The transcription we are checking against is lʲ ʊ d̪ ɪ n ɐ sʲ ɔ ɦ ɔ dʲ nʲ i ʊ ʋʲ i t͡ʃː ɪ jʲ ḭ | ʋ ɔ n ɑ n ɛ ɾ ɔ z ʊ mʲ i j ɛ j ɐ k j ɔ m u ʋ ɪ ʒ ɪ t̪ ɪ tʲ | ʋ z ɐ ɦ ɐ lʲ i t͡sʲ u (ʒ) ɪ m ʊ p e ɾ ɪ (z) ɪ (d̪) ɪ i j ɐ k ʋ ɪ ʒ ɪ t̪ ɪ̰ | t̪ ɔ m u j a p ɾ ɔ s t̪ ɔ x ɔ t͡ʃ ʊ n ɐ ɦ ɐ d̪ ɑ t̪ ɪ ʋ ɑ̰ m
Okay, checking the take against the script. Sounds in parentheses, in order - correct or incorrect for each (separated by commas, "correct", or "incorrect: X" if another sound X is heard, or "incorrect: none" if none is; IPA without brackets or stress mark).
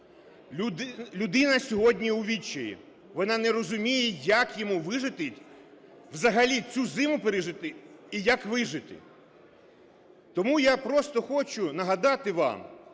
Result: incorrect: z, incorrect: ʒ, incorrect: t̪